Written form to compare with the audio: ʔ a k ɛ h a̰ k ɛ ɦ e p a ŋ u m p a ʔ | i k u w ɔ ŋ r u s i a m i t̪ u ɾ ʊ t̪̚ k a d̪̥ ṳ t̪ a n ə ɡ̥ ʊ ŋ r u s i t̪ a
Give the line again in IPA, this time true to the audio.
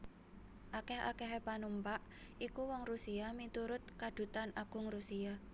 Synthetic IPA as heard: ʔ a k ɛ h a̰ k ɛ ɦ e p a n u m p a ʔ | i k u w ɔ ŋ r u s i a m i t̪ u ɾ ʊ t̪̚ k a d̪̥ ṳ t̪ a n a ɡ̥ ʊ ŋ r u s i a

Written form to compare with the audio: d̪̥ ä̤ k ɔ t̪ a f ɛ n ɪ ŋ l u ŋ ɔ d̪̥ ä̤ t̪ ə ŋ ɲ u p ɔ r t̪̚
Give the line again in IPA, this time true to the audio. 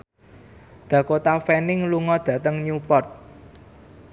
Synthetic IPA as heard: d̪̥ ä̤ k o t̪ a f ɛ n ɪ ŋ l u ŋ ɔ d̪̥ ä̤ t̪ ə ŋ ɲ u p ɔ r t̪̚

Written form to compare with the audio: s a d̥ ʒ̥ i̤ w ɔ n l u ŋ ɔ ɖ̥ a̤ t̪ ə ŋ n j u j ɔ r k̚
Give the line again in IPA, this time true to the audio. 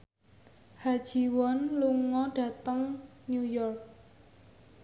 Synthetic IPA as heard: h a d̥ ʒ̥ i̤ w ɔ n l u ŋ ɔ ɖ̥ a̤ t̪ ə ŋ n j u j ɔ r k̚

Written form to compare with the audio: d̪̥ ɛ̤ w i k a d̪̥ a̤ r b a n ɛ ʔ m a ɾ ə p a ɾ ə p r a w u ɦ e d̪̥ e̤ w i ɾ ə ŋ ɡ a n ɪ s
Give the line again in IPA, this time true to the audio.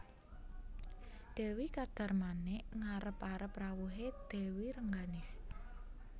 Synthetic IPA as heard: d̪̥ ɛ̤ w i k a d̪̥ a̤ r m a n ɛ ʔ ŋ a ɾ ə p a ɾ ə p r a w u ɦ e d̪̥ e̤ w i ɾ ə ŋ ɡ a n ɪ s

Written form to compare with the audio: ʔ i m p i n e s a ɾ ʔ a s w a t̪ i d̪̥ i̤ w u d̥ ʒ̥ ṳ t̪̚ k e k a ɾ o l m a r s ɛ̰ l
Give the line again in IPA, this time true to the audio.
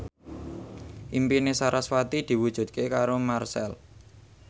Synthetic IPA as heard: ʔ i m p i n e s a ɾ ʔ a s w a t̪ i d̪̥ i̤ w u d̥ ʒ̥ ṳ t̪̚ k e k a ɾ o m a r s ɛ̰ l

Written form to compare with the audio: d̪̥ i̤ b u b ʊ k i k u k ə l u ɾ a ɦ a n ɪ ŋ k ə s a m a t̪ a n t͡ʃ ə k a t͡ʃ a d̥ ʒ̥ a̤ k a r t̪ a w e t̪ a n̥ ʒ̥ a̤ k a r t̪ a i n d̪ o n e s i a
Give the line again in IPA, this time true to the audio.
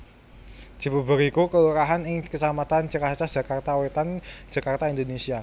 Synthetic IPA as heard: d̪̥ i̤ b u b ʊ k i k u k ə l u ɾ a ɦ a n ɪ ŋ k ə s a m a t̪ a n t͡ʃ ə k a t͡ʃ a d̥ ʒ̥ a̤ k a r t̪ a w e t̪ a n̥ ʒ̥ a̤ k a r t̪ a i n d̪ o n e s i a

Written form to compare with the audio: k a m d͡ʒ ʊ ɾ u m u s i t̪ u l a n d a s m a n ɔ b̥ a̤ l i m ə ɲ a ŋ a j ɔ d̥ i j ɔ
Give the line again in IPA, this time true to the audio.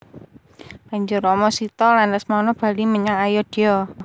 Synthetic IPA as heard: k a ɲ d͡ʒ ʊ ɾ ɔ m ɔ s i t̪ ɔ l a n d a s m a n ɔ b̥ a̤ l i m ə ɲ a ŋ a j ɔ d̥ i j ɔ

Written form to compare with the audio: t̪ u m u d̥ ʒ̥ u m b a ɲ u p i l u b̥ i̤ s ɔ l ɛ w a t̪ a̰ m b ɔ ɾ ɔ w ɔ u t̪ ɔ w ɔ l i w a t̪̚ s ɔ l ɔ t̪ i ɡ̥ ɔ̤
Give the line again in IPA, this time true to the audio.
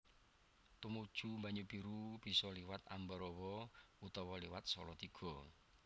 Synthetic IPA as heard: t̪ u m u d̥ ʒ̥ u m b a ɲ u p i ɾ u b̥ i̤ s ɔ l i w a t̪ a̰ m b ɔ ɾ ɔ w ɔ u t̪ ɔ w ɔ l i w a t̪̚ s ɔ l ɔ t̪ i ɡ̥ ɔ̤

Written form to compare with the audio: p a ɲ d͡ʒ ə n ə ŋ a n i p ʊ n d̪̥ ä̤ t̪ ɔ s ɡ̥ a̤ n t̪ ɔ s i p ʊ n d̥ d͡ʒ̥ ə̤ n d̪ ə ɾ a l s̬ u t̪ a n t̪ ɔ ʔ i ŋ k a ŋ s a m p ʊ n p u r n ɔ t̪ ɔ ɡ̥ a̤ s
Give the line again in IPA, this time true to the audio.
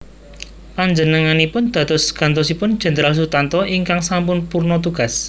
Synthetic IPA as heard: p a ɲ d͡ʒ ə n ə ŋ a n i p ʊ n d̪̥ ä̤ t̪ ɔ s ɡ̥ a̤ n t̪ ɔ s i p ʊ n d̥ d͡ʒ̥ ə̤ n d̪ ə ɾ a l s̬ u t̪ a n t̪ ɔ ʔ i ŋ k a ŋ s a m p ʊ n p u r n ɔ t̪ u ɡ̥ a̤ s

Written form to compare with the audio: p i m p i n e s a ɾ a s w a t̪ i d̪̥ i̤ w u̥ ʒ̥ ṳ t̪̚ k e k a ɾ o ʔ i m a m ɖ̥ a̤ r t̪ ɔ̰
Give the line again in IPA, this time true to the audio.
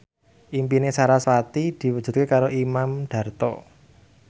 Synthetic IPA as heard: ʔ i m p i n e s a ɾ a s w a t̪ i d̪̥ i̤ w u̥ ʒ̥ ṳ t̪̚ k e k a ɾ o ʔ i m a m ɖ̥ a̤ r t̪ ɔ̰

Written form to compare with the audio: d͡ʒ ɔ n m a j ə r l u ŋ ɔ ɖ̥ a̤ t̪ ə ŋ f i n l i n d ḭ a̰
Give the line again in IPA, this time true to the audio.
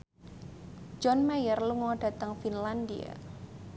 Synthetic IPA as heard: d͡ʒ ɔ n m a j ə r l u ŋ ɔ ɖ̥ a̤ t̪ ə ŋ f i n l a n d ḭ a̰

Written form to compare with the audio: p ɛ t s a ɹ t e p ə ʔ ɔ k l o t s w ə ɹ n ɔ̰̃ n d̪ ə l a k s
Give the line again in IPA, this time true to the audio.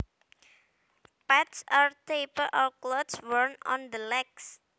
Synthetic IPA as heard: p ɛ t s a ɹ t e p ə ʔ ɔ k l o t s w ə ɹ n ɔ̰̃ n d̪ ə l ɛ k s

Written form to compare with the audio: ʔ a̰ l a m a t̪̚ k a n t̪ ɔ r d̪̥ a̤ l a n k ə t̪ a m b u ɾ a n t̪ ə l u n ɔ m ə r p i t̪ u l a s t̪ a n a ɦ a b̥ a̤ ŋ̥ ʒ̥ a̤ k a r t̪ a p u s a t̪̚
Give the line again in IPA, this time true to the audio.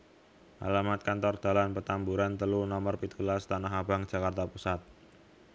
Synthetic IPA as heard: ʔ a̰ l a m a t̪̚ k a n t̪ ɔ r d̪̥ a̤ l a n p ə t̪ a m b u ɾ a n t̪ ə l u n ɔ m ə r p i t̪ u l a s t̪ a n a ɦ a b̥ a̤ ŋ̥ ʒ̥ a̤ k a r t̪ a p u s a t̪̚

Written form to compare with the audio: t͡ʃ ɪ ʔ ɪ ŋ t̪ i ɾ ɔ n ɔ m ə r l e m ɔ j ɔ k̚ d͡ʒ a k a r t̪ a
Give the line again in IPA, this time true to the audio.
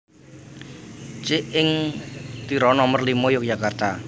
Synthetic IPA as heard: t͡ʃ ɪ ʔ ɪ ŋ t̪ i ɾ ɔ n ɔ m ə r l i m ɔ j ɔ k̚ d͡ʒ a k a r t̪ a

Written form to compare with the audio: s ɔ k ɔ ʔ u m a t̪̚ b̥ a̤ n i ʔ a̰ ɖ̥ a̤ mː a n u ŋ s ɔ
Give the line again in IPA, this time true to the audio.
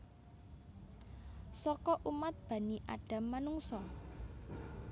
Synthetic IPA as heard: s ɔ k ɔ ʔ u m a t̪̚ b̥ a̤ n i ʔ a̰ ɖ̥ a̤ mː a n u ŋ s ɔ

